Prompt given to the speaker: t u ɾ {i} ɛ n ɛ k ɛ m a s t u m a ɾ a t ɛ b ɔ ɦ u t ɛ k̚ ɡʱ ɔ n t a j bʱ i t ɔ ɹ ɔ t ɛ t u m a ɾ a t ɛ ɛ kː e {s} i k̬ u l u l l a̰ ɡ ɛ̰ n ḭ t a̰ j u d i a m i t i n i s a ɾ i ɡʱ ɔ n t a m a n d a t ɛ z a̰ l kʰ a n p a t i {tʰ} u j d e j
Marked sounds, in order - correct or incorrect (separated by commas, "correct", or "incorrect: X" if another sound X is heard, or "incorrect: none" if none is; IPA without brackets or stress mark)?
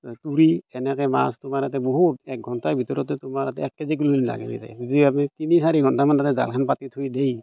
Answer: correct, incorrect: z, correct